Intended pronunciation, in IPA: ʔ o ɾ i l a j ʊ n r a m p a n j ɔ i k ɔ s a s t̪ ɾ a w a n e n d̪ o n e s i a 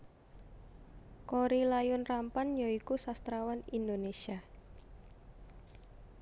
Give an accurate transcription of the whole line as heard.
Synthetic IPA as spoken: k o ɾ i l a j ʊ n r a m p a n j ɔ i k u s a s t̪ ɾ a w a n i n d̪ o n e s i a